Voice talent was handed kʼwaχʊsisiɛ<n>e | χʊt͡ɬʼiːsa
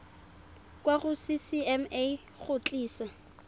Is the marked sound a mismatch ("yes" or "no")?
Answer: yes